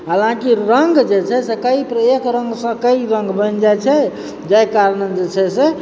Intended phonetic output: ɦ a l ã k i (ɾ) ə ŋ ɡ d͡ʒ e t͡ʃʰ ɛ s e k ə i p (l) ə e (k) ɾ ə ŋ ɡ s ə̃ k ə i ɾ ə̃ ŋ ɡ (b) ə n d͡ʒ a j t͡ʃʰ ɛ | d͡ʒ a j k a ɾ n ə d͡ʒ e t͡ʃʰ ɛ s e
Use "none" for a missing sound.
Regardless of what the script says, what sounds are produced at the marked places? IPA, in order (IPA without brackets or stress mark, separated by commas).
ɾ, ɾ, k, b